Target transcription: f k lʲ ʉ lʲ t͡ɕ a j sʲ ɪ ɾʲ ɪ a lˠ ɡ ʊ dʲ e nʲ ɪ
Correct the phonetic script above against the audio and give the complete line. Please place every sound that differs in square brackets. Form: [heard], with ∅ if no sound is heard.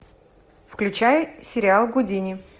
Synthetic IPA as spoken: f k lʲ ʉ [∅] t͡ɕ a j sʲ ɪ ɾʲ ɪ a lˠ ɡ ʊ dʲ [i] nʲ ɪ